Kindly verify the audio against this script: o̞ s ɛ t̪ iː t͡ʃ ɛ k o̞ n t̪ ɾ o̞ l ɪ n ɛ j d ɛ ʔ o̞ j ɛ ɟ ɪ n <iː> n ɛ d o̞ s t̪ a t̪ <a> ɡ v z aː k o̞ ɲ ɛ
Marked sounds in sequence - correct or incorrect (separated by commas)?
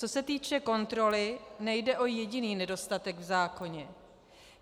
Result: correct, incorrect